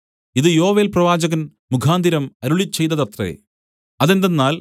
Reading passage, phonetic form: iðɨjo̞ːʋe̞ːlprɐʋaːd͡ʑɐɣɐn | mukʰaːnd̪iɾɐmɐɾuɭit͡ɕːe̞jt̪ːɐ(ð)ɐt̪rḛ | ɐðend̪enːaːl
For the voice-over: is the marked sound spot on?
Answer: yes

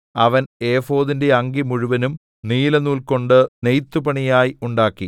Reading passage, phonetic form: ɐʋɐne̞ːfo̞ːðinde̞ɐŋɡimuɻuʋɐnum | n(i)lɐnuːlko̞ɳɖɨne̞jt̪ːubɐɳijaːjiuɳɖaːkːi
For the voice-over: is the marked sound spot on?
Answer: no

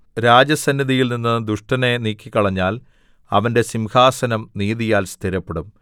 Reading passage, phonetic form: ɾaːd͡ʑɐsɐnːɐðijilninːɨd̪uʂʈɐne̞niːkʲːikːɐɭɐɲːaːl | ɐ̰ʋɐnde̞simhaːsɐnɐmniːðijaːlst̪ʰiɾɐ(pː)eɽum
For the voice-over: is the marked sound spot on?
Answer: yes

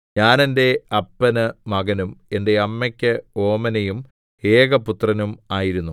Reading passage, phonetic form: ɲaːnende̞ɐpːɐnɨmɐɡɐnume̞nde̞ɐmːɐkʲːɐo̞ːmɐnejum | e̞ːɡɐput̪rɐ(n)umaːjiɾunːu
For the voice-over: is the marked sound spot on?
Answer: yes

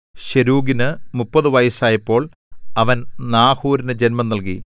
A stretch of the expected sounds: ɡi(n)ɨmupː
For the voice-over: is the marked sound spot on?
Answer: yes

